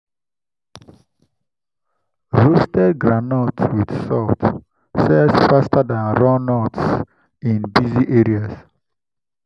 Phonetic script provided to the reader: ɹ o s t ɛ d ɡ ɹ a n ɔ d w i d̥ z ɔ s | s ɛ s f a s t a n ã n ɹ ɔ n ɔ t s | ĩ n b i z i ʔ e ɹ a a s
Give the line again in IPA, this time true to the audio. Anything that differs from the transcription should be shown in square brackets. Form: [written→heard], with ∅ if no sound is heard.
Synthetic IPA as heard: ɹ o s t ɛ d ɡ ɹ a n ɔ [d→t] w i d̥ [z→s] ɔ [s→t] | s ɛ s f a s t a [n→d] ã n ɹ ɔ n ɔ t s | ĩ n b i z i ʔ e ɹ [a→i] a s